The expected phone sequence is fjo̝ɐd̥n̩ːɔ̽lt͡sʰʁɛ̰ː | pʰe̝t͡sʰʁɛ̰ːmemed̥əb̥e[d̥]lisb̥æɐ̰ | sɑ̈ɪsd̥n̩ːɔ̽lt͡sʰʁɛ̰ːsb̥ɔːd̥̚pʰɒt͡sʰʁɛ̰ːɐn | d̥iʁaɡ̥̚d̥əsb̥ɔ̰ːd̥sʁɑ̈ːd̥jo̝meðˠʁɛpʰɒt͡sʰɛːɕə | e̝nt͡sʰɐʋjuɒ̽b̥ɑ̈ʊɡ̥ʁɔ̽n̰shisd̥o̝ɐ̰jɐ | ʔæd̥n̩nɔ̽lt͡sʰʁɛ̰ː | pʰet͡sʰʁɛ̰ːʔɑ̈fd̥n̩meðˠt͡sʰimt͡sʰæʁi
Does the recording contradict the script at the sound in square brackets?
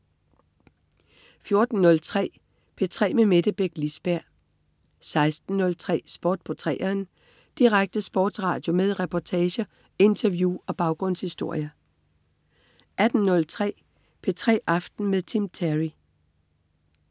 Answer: yes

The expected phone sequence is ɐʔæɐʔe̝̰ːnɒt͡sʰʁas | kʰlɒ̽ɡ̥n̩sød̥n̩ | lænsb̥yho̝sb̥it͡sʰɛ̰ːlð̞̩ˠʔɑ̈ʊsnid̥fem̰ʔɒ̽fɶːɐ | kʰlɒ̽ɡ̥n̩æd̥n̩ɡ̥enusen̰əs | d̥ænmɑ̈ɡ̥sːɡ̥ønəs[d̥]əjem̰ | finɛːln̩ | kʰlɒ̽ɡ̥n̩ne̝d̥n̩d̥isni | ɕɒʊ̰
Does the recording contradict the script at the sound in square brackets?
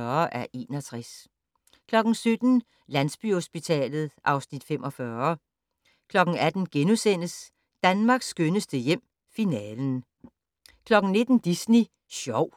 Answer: no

